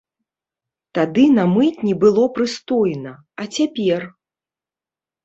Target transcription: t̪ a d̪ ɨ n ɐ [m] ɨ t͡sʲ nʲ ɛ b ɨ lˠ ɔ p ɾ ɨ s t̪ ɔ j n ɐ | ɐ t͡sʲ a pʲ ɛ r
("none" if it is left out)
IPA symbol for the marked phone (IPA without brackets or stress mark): m